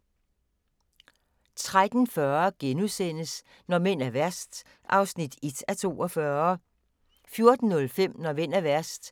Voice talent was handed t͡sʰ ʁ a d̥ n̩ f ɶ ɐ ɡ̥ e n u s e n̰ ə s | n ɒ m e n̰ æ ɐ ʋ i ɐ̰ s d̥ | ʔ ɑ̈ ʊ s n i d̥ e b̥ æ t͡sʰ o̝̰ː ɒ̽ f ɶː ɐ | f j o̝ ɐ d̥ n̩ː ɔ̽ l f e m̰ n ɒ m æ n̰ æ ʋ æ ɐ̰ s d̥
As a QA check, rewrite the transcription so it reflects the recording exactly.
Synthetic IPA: t͡sʰ ʁ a d̥ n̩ f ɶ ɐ ɡ̥ e n u s e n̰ ə s | n ɒ m e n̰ æ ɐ ʋ æ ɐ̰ s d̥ | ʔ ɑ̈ ʊ s n i d̥ e d̥ æ t͡sʰ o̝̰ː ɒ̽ f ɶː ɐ | f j o̝ ɐ d̥ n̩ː ɔ̽ l f e m̰ n ɒ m e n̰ æ ʋ æ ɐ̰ s d̥